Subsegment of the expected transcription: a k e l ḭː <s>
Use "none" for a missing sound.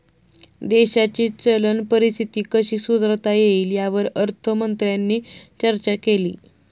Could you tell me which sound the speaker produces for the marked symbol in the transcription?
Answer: none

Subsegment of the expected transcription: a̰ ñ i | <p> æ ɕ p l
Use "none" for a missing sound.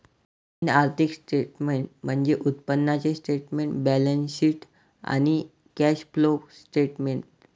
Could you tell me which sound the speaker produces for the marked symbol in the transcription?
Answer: k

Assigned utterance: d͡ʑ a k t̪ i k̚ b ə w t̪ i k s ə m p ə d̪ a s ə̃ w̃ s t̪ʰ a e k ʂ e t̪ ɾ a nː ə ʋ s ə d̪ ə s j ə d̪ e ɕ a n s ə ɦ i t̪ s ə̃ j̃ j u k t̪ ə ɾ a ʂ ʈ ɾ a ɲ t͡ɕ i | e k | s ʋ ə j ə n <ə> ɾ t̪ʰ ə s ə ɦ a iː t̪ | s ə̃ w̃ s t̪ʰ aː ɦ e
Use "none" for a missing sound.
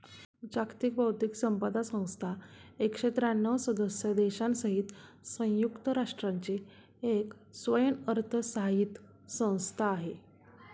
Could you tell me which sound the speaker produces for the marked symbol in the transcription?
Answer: ə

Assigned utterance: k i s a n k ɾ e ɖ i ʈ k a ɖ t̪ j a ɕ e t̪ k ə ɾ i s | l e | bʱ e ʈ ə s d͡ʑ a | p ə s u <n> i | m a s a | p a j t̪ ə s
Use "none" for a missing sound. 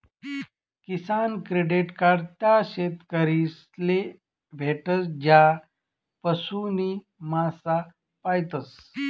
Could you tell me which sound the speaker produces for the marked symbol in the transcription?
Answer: n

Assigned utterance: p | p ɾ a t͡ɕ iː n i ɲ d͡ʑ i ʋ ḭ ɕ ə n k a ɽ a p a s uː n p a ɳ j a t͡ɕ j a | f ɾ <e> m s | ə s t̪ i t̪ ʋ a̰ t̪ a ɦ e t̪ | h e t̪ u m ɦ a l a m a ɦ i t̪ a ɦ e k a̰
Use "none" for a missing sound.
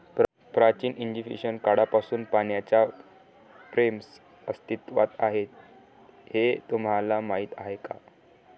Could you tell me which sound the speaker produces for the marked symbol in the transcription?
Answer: e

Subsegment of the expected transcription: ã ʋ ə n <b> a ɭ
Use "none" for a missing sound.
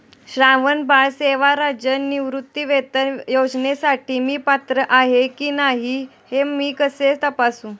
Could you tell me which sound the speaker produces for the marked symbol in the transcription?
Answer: b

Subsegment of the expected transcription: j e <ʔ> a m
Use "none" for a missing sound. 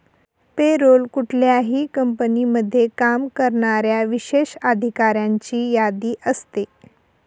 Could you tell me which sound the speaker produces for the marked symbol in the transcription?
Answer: k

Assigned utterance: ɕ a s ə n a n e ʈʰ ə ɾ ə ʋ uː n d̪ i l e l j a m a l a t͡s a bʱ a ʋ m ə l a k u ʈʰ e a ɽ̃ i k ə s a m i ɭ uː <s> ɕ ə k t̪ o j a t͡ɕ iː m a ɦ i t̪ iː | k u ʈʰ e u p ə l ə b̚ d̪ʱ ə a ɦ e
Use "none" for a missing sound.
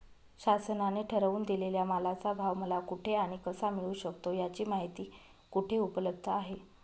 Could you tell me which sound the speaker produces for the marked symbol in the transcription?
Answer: none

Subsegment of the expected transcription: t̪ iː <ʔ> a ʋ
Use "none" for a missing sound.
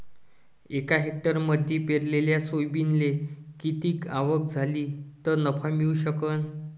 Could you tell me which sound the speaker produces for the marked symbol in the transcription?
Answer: k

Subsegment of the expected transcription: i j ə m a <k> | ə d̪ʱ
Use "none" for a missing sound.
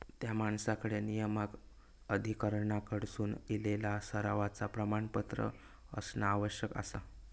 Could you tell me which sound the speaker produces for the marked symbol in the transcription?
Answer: k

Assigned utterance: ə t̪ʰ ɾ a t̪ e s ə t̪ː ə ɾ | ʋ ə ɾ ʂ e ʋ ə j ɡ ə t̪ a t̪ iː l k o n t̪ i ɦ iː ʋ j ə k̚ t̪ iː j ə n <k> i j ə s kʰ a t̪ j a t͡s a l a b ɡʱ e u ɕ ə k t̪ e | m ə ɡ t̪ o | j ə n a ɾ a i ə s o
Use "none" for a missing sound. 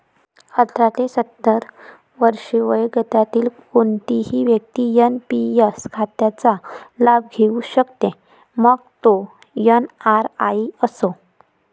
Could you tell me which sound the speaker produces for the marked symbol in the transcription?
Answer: p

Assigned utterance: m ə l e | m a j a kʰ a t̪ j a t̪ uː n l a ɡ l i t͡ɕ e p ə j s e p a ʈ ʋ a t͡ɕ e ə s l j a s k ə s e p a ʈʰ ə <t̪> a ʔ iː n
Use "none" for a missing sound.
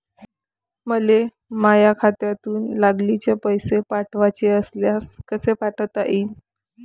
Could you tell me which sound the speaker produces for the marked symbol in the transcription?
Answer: t̪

